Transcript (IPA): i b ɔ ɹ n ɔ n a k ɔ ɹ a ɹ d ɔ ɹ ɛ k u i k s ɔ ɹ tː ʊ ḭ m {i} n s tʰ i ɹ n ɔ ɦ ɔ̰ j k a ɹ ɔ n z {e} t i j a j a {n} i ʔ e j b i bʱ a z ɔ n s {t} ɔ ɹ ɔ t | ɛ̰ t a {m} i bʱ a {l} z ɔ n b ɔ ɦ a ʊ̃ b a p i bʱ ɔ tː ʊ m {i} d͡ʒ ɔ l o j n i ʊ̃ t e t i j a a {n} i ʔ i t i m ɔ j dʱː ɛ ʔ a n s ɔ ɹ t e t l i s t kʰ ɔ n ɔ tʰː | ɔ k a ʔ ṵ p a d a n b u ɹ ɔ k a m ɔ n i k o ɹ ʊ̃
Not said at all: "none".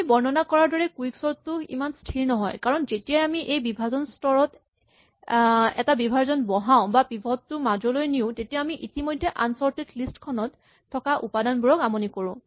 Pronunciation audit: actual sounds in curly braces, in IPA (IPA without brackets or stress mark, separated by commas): a, e, m, t, b, ɹ, a, m